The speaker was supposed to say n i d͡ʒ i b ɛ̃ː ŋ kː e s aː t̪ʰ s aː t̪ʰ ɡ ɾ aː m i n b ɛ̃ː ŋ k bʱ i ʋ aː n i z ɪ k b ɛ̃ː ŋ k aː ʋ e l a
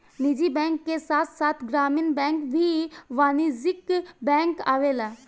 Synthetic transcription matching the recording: n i d͡ʒ i b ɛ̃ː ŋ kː e s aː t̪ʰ s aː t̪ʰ ɡ ɾ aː m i n b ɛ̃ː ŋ k bʱ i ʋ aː n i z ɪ k b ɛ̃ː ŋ k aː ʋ e l a